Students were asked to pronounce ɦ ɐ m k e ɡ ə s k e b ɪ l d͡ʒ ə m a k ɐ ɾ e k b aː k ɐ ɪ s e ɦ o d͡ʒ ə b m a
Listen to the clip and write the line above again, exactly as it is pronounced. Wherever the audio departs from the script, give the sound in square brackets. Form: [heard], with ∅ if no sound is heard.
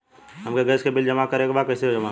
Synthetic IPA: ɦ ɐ m k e ɡ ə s k e b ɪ l d͡ʒ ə m a k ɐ ɾ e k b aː k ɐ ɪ s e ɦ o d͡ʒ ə [∅] m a